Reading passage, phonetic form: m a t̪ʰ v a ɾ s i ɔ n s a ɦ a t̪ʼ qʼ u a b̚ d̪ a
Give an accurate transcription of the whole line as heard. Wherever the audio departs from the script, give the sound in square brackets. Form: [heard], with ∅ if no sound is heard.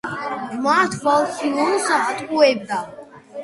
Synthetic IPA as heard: m a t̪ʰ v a [l] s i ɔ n s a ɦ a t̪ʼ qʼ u [ɛ] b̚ d̪ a